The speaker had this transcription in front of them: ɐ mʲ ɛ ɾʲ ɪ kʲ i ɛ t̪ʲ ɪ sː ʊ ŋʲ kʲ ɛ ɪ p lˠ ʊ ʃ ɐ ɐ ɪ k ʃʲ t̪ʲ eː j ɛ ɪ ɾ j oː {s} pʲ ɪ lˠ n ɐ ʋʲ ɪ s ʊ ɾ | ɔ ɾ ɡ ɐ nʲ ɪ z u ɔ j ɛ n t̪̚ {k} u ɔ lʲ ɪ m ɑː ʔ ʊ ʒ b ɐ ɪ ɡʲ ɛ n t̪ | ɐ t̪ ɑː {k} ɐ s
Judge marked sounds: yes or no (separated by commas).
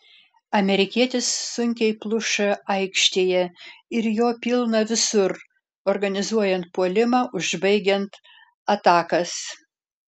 no, no, yes